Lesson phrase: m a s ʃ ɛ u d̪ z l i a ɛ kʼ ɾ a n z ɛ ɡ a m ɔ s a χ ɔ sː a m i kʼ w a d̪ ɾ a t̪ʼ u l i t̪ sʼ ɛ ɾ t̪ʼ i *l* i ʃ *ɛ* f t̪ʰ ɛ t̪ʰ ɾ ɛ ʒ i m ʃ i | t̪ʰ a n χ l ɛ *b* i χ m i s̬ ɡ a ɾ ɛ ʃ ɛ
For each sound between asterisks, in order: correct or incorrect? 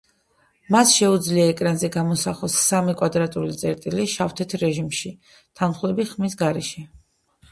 correct, incorrect: a, correct

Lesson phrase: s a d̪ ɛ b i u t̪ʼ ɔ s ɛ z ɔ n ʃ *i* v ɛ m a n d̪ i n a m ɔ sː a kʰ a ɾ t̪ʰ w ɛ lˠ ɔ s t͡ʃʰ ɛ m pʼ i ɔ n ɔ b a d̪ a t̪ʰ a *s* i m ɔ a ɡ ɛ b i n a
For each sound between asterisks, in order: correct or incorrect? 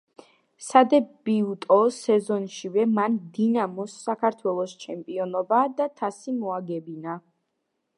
correct, correct

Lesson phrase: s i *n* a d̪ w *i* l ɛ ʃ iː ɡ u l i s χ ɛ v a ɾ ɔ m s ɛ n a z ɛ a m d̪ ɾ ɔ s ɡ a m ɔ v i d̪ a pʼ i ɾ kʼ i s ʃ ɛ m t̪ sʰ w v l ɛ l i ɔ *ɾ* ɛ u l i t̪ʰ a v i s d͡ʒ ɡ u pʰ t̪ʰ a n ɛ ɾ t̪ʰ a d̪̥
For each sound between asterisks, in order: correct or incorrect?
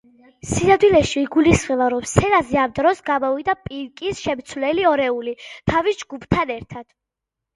correct, correct, correct

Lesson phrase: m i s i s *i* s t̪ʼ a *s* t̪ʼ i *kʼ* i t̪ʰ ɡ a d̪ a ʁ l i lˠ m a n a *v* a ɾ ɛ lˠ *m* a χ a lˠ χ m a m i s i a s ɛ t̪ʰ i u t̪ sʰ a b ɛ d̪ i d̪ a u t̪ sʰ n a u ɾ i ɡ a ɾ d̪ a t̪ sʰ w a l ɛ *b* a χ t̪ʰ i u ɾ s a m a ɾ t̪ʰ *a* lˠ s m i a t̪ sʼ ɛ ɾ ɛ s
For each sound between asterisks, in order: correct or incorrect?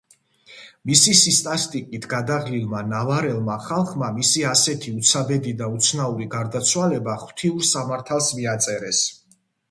correct, correct, correct, correct, correct, correct, correct

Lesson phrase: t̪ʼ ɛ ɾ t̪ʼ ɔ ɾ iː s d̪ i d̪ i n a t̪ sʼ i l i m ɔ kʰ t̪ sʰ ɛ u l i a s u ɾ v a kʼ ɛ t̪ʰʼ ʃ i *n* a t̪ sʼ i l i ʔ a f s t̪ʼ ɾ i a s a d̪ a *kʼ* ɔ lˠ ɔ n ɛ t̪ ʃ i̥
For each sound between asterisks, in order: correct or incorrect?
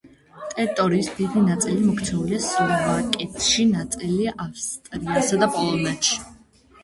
correct, incorrect: pʼ

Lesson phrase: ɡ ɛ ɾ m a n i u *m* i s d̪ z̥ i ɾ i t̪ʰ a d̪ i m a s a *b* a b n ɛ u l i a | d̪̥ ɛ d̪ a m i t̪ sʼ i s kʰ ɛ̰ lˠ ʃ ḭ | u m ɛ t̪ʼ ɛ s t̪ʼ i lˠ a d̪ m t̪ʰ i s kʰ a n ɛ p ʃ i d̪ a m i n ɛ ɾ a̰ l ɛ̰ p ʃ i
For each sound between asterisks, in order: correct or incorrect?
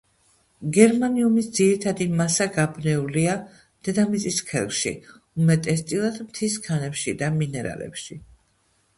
correct, incorrect: ɡ

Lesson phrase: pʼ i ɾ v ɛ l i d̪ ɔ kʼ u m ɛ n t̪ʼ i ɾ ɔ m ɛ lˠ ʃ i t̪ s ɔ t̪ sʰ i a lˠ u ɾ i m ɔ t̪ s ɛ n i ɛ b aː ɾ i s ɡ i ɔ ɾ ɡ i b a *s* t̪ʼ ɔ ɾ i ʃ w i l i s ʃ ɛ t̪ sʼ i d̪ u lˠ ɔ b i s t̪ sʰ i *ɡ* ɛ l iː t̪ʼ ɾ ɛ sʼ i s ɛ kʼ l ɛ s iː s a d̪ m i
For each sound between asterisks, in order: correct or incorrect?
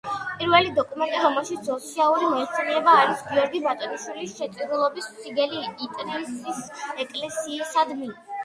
incorrect: none, correct

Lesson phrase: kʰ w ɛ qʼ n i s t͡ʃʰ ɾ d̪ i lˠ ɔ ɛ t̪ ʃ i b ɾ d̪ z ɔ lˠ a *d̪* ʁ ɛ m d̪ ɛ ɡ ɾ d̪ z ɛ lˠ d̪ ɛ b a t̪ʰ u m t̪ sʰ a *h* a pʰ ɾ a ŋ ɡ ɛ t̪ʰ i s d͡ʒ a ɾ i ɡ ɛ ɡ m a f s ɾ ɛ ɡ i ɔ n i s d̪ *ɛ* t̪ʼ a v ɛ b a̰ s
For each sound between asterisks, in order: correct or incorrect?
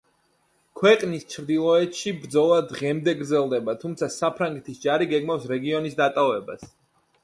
correct, incorrect: s, incorrect: a

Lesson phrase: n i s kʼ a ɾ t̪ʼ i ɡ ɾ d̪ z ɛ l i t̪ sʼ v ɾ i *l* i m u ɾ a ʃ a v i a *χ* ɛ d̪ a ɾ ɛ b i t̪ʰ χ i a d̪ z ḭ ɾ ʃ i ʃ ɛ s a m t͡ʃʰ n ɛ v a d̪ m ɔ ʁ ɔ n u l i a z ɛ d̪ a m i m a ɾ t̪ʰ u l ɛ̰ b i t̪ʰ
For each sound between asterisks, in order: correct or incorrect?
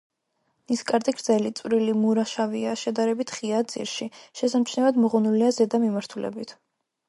correct, incorrect: ʃ

